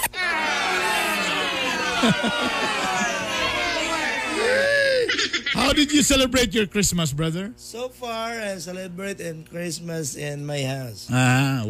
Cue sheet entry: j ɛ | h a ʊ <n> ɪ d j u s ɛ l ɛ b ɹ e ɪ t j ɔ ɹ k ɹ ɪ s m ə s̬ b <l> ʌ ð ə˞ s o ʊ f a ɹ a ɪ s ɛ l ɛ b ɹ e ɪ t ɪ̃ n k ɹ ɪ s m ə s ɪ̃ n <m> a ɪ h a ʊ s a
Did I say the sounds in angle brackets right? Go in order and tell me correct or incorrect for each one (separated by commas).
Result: incorrect, incorrect, correct